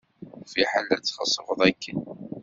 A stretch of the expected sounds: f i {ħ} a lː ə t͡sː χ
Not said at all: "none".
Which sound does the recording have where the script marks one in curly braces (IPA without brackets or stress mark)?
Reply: ħ